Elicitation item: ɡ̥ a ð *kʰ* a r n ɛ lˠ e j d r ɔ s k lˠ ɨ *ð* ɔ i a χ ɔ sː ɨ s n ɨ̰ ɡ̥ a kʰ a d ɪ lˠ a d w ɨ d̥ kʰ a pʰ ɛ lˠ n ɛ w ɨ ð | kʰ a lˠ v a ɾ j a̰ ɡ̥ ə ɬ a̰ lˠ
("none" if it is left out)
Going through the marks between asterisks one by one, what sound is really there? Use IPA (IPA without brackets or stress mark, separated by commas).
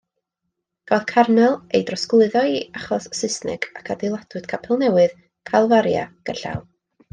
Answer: kʰ, ð